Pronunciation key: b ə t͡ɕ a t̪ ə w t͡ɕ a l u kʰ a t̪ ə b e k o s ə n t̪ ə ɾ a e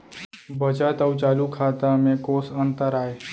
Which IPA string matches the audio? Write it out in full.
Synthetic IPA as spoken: b ə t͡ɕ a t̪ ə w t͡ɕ a l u kʰ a t̪ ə m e k o s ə n t̪ ə ɾ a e